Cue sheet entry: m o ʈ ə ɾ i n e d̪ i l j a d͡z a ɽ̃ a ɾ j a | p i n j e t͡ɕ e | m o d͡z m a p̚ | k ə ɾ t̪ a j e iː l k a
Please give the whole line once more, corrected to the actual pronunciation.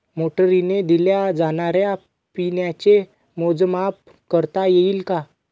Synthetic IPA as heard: m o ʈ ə ɾ i n e d̪ i l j a d͡z a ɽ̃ a ɾ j a | p i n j a t͡ɕ e | m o d͡z m a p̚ | k ə ɾ t̪ a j e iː l k a